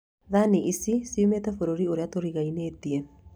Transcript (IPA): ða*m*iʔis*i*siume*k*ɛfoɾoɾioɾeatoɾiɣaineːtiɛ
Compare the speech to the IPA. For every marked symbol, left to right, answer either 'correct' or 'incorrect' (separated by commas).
incorrect, correct, incorrect